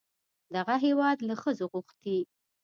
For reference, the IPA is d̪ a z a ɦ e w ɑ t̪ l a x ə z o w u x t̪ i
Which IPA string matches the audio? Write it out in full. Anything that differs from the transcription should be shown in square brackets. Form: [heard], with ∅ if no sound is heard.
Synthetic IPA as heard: d̪ a [ɣ] a ɦ e w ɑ [d̪] l a x ə z o [ɣ] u x t̪ i